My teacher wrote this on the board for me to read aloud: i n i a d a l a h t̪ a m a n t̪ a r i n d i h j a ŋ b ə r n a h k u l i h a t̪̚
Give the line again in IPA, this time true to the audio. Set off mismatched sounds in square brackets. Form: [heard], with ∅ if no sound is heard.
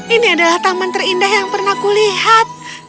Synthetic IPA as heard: i n i a d a l a h t̪ a m a n t̪ [ə] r i n d [a] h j a ŋ [p] ə r n a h k u l i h a t̪̚

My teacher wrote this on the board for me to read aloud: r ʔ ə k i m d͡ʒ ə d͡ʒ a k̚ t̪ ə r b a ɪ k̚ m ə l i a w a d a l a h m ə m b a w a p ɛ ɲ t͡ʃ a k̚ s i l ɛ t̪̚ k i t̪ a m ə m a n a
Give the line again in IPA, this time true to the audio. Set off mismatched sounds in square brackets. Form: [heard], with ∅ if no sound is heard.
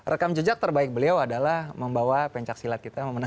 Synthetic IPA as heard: r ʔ ə k [a] m d͡ʒ ə d͡ʒ a k̚ t̪ ə r b a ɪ k̚ [b] ə l i a w a d a l a h m ə m b a w a p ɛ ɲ t͡ʃ a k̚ s i l [a] t̪̚ k i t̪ a m ə m [ə] n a

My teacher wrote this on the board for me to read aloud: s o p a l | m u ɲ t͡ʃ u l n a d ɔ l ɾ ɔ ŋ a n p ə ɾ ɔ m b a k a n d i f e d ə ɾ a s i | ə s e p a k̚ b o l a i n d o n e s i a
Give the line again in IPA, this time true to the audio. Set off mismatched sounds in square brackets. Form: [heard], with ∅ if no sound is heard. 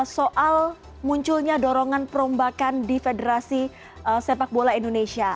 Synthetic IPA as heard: s o [ʔ] a l | m u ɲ t͡ʃ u l [ɲ] a d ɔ [∅] ɾ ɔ ŋ a n p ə ɾ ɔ m b a k a n d i f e d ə ɾ a s i | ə s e p a k̚ b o l a i n d o n e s i a

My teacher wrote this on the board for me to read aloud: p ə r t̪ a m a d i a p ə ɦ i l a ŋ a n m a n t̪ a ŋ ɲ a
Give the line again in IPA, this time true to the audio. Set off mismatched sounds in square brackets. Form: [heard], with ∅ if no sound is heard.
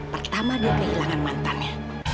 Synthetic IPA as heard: p ə r t̪ a m a d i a [k] ə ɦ i l a ŋ a n m a n t̪ a [n] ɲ a

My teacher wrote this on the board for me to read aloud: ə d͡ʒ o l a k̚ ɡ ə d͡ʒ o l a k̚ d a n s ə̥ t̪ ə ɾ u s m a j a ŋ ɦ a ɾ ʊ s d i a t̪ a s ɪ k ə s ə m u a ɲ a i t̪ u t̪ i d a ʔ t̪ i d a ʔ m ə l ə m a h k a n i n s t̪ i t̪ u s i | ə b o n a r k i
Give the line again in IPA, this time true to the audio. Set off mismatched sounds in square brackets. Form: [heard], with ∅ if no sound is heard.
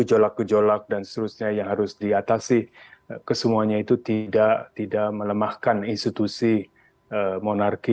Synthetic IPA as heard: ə d͡ʒ o l a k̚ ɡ ə d͡ʒ o l a k̚ d a n s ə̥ t̪ ə ɾ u s [ɲ] a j a ŋ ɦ a ɾ ʊ s d i a t̪ a s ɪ k ə s ə m u a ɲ a i t̪ u t̪ i d a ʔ t̪ i d a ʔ m ə l ə m a h k a n i n s t̪ i t̪ u s i | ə [m] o n a r k i

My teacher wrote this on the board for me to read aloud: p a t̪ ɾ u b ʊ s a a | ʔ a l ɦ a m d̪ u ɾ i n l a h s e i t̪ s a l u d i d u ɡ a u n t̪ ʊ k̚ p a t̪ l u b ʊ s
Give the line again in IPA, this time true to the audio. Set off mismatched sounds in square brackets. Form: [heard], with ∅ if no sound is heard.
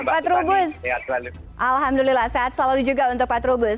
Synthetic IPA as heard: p a t̪ ɾ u b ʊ s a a | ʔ a l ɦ a m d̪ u [l] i [∅] l a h s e [a] t̪ s a l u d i [d͡ʒ] u ɡ a u n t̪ ʊ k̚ p a t̪ [ɾ] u b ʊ s

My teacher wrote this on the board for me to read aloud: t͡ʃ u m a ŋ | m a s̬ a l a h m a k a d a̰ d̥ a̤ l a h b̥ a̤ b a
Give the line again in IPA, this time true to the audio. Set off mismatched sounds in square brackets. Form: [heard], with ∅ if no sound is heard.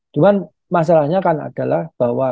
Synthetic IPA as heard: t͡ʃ u m a [n] | m a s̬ a l a h [ɲ] a k a [n] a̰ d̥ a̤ l a h b̥ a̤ [w] a

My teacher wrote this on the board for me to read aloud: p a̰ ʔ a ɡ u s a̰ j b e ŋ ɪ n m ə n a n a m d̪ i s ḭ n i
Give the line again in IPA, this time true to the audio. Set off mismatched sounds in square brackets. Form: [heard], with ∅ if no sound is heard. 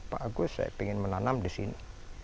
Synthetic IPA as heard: p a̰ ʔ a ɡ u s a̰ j [p] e ŋ ɪ n m ə n a n a m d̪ i s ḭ n i

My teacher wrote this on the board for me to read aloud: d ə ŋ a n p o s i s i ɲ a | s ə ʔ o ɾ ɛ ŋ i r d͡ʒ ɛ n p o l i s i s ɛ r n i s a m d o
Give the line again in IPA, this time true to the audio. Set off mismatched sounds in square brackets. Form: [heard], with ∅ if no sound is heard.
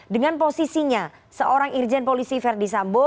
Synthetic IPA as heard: d ə ŋ a n p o s i s i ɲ a | s ə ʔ o ɾ [a] ŋ i r d͡ʒ ɛ n p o l i s i [f] ɛ r [d] i s a m [b] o

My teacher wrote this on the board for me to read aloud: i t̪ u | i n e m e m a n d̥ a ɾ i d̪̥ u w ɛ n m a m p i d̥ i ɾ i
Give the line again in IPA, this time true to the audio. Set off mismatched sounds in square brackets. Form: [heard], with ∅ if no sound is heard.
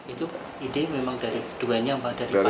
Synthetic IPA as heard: i t̪ u | i [d] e m e m a [ŋ] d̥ a ɾ i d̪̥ u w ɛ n [ɲ] a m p [a] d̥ [a] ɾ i

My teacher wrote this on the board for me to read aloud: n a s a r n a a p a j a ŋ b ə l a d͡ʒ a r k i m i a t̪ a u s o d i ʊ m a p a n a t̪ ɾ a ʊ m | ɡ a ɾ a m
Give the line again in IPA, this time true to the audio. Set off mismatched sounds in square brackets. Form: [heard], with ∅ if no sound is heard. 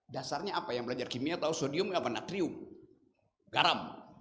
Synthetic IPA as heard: [d] a s a r [ɲ] a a p a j a ŋ b ə l a d͡ʒ a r k i m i a t̪ a u s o d i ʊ m a p a n a t̪ ɾ [i] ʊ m | ɡ a ɾ a m

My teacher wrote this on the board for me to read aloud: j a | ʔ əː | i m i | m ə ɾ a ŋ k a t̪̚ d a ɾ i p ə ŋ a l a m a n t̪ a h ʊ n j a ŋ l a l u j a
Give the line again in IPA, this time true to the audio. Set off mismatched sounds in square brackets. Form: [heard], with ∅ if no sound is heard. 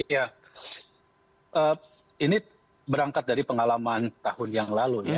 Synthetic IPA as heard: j a | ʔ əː | i [n] i | [b] ə ɾ a ŋ k a t̪̚ d a ɾ i p ə ŋ a l a m a n t̪ a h ʊ n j a ŋ l a l u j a

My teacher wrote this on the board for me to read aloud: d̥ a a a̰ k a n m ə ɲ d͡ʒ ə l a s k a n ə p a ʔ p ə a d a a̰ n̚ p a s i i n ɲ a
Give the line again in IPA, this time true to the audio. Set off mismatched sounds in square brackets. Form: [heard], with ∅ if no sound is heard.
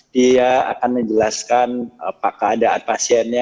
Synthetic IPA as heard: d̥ [i] a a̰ k a n m ə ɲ d͡ʒ ə l a s k a n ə p a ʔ [k] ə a d a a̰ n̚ p a s i [ɛ] n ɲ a

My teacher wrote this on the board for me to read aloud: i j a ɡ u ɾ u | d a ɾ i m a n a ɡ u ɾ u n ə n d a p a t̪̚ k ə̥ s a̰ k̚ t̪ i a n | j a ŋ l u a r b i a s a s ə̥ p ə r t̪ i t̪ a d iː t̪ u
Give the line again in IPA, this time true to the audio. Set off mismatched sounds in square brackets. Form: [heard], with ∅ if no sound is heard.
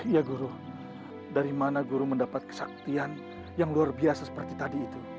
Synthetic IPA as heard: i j a ɡ u ɾ u | d a ɾ i m a n a ɡ u ɾ u [m] ə n d a p a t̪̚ k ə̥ s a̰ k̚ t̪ i a n | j a ŋ l u a r b i a s a s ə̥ p ə r t̪ i t̪ a d iː t̪ u

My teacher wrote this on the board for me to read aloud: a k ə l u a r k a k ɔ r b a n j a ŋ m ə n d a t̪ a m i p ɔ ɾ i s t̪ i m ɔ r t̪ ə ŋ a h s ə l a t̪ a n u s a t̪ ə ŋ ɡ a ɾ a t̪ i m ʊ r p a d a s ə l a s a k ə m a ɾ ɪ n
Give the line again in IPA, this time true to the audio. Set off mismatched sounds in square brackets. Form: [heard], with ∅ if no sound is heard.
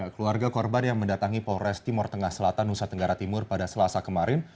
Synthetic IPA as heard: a k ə l u a r [ɡ] a k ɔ r b a n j a ŋ m ə n d a t̪ a [ŋ] i p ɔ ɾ [ɛ] s t̪ i m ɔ r t̪ ə ŋ a h s ə l a t̪ a n u s a t̪ ə ŋ ɡ a ɾ a t̪ i m ʊ r p a d a s ə l a s a k ə m a ɾ ɪ n

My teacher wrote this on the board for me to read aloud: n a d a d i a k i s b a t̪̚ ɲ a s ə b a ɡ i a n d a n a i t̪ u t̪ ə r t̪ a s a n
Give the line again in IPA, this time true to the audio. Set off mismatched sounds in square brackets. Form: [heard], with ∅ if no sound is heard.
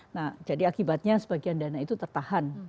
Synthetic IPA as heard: n a [d͡ʒ] a d i a k i [∅] b a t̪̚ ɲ a s ə b a ɡ i a n d a n a i t̪ u t̪ ə r t̪ a [h] a n

